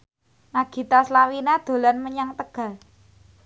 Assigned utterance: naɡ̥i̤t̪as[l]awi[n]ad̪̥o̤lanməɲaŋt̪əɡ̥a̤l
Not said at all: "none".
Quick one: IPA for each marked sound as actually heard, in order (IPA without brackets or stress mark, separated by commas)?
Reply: l, n